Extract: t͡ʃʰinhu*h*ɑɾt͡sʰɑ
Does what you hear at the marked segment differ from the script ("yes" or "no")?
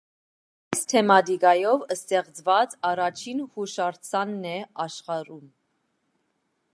yes